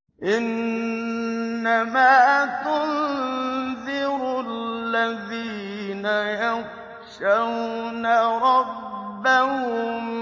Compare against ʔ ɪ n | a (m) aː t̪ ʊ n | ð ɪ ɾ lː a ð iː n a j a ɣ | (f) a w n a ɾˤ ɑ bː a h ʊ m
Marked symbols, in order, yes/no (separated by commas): yes, no